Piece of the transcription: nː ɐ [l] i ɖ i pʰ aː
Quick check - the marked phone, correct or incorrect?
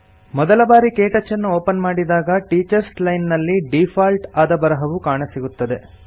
incorrect